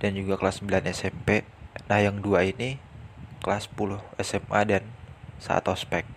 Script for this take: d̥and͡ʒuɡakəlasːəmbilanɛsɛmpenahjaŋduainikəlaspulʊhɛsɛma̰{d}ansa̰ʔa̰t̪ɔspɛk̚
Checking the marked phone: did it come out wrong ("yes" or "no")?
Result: no